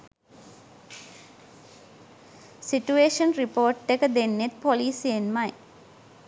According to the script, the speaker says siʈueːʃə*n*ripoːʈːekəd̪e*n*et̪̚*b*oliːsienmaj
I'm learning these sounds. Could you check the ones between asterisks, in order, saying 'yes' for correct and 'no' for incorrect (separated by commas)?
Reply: yes, no, no